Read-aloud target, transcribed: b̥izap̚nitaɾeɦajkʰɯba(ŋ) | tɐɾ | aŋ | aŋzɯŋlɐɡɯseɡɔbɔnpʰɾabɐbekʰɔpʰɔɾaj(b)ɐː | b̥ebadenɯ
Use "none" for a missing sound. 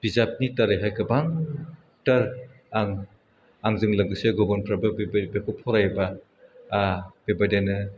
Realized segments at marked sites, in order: ŋ, b

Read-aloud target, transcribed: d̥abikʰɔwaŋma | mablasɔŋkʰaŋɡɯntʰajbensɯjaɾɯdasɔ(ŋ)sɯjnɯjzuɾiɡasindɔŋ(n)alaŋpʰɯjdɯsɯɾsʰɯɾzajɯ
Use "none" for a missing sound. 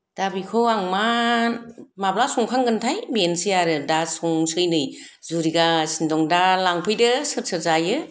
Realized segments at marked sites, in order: ŋ, d

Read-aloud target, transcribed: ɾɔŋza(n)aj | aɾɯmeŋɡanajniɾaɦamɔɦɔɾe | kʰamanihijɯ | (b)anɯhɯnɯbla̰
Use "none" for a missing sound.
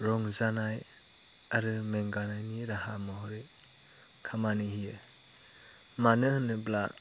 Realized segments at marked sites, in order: n, m

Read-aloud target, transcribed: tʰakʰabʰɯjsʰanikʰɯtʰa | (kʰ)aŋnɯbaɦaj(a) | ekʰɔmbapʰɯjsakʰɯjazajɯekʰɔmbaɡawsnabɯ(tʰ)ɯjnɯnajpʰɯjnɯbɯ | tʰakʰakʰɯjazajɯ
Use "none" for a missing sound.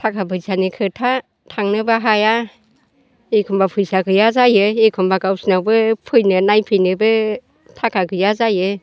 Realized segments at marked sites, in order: tʰ, a, pʰ

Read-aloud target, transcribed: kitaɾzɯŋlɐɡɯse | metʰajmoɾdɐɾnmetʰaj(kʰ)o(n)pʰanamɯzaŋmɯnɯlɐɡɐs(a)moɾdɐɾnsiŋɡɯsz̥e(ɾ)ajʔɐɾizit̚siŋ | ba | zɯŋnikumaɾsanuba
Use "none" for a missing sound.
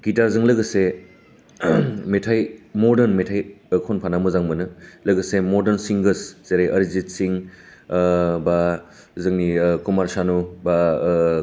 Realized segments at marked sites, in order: kʰ, n, e, ɾ

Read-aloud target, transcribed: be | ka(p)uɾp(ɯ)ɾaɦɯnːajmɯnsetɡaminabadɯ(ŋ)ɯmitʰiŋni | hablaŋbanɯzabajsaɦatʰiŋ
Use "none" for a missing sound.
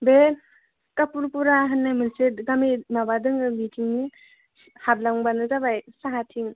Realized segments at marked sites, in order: p, u, ŋ

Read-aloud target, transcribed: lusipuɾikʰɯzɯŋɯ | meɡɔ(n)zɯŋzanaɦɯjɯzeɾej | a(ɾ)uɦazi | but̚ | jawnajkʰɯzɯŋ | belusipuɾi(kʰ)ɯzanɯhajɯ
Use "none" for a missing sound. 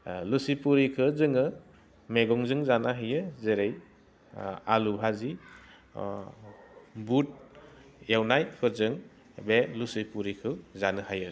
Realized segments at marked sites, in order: ŋ, l, kʰ

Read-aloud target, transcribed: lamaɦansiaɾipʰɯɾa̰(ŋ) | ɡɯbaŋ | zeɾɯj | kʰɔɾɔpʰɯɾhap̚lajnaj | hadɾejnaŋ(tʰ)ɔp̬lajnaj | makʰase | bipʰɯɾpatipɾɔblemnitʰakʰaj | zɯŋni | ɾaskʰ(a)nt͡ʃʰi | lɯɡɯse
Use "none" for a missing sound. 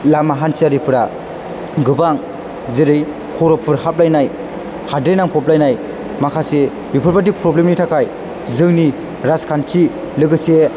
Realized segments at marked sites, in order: none, pʰ, a

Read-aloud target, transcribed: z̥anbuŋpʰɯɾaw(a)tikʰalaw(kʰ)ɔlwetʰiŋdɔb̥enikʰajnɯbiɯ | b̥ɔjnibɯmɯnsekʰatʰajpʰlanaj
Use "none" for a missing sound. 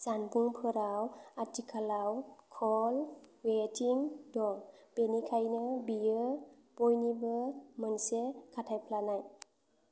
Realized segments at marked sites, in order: a, kʰ

